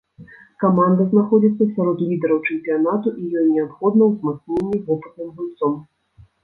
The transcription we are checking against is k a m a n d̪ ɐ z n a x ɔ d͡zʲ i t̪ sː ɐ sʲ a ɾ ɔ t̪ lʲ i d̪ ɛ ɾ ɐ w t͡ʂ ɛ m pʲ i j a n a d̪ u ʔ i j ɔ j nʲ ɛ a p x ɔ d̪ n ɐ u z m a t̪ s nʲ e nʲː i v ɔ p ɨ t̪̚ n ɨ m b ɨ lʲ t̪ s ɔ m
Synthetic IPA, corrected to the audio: k a m a n d̪ ɐ z n a x ɔ d͡zʲ i t̪ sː ɐ sʲ a ɾ ɔ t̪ lʲ i d̪ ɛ ɾ ɐ w t͡ʂ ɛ m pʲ i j a n a t̪ u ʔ i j ɔ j nʲ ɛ a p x ɔ d̪ n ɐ w z m a t̪ s nʲ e nʲː i v ɔ p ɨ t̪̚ n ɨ m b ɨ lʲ t̪ s ɔ m